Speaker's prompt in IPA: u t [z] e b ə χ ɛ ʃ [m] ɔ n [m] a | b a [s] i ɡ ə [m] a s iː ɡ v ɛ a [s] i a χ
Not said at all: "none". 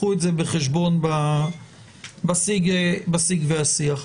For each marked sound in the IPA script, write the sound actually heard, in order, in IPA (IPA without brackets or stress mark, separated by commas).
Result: z, b, b, s, b, s